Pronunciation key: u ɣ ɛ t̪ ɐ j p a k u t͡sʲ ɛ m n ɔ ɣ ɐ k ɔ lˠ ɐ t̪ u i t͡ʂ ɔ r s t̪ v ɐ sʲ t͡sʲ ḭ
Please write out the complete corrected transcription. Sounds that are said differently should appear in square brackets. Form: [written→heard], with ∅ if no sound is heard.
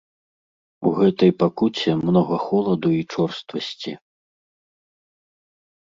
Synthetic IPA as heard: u ɣ ɛ t̪ ɐ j p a k u t͡sʲ ɛ m n ɔ ɣ ɐ [k→x] ɔ lˠ ɐ [t̪→d̪] u i t͡ʂ ɔ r s t̪ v ɐ sʲ t͡sʲ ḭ